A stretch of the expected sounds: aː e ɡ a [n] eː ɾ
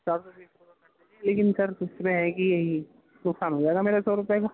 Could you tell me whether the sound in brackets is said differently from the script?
yes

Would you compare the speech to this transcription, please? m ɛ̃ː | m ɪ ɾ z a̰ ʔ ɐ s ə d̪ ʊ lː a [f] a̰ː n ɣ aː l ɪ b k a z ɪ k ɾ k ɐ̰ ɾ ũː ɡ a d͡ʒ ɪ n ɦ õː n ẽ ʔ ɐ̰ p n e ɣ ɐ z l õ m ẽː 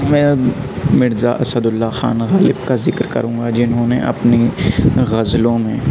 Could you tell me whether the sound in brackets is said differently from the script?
yes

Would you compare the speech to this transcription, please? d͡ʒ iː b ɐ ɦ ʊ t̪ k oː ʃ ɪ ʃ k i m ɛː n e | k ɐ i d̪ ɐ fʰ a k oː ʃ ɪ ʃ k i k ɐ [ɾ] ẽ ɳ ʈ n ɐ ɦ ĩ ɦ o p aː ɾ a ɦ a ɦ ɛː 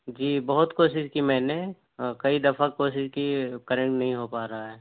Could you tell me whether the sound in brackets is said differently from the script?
no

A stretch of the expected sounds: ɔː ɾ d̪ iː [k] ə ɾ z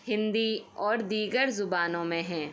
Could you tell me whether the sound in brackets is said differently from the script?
yes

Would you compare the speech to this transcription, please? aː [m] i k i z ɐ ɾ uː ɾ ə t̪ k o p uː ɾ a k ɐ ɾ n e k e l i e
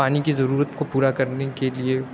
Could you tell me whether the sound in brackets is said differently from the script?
yes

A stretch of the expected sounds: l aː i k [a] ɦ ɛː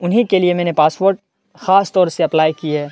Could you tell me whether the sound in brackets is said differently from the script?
yes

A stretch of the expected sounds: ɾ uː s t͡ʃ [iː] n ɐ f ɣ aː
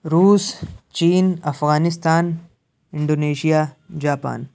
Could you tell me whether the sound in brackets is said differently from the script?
no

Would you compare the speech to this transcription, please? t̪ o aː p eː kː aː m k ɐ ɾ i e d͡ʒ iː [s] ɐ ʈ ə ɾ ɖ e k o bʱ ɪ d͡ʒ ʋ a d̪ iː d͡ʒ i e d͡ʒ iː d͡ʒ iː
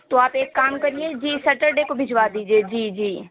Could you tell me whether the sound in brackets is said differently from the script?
no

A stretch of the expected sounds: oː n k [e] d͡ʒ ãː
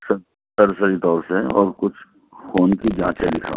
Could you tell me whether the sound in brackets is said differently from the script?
yes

